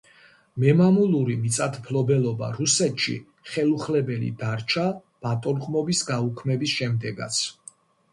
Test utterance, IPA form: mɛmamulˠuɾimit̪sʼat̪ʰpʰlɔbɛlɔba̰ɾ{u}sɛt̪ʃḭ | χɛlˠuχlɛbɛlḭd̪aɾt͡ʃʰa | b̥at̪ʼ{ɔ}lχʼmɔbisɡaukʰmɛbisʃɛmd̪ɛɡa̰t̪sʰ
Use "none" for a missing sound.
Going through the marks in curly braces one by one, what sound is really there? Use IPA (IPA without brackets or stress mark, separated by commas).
u, ɔ